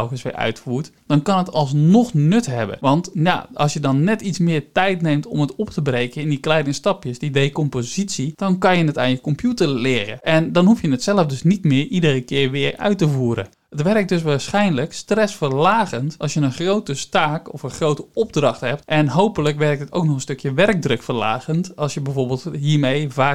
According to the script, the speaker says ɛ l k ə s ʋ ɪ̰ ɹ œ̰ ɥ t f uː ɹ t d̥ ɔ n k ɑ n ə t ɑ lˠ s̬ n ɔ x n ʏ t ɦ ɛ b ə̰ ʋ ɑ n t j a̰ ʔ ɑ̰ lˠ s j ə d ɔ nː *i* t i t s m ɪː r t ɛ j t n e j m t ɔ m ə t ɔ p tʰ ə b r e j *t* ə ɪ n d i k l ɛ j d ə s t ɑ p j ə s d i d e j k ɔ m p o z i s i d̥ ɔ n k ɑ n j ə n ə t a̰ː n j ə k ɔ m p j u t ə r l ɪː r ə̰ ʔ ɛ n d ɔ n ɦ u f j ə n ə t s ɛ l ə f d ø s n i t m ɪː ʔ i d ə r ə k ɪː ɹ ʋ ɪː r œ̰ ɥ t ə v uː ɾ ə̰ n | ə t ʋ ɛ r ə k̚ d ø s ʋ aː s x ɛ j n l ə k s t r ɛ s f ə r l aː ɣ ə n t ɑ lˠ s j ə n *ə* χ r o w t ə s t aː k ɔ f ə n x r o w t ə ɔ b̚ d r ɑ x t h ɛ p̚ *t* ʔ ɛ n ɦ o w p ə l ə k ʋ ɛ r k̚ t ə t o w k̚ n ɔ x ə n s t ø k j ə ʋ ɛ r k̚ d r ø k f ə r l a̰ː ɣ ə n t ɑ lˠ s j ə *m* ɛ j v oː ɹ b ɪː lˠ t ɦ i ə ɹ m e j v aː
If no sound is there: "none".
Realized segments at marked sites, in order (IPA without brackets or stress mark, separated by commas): ɛ, k, ə, t, b